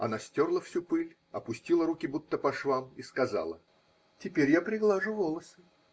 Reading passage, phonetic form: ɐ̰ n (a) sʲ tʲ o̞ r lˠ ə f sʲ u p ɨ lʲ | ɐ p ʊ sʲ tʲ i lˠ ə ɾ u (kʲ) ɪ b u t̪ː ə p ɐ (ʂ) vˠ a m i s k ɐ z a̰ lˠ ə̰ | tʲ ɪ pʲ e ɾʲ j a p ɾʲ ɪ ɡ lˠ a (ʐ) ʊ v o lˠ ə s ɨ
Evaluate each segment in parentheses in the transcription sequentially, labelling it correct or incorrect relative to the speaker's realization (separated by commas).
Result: correct, correct, correct, correct